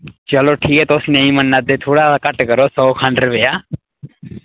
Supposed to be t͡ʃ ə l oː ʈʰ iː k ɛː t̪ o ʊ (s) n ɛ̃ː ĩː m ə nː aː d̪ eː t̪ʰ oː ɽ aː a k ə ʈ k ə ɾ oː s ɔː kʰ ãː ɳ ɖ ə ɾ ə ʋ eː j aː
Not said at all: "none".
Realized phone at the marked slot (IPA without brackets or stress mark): s